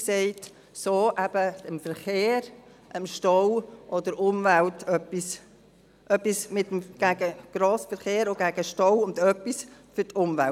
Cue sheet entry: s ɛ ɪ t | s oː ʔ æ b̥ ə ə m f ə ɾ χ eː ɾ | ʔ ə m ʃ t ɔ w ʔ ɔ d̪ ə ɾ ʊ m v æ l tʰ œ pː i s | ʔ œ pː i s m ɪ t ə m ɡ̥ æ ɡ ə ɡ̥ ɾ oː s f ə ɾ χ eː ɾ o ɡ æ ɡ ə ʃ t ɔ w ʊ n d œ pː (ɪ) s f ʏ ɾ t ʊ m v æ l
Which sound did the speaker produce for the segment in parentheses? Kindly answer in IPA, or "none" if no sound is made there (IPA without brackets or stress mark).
i